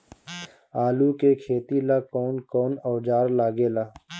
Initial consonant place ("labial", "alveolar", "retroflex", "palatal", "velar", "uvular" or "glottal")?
alveolar